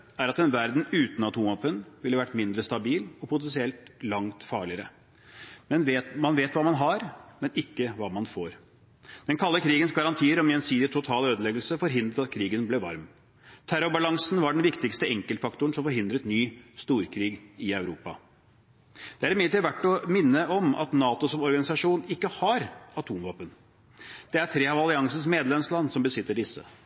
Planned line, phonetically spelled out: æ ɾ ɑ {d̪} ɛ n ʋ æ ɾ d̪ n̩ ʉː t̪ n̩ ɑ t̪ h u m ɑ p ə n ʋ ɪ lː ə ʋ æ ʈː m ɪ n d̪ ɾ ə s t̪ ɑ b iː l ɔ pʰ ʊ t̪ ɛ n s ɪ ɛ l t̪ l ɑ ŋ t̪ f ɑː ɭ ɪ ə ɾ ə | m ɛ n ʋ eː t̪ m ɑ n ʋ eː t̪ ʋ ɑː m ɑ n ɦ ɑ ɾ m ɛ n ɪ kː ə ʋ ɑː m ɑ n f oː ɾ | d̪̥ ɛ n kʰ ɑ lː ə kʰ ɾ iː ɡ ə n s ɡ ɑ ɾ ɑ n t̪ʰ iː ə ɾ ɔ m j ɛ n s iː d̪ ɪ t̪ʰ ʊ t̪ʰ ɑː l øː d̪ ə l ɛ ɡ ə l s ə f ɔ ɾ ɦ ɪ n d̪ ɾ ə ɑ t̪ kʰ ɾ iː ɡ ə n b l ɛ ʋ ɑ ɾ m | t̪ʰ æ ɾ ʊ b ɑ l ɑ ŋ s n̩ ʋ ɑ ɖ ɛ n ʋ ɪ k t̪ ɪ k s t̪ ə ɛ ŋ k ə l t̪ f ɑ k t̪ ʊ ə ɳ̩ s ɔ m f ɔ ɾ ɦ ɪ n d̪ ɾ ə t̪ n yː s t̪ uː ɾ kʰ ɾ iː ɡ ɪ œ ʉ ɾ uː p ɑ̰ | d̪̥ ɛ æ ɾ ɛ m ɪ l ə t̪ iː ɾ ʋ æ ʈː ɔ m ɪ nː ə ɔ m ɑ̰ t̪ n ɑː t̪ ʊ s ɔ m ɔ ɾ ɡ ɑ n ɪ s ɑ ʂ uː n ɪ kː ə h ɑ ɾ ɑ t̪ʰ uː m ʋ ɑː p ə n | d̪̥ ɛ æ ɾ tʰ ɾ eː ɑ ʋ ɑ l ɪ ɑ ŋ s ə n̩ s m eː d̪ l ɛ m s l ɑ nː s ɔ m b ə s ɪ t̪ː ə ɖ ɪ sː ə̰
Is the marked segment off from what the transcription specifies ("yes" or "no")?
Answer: yes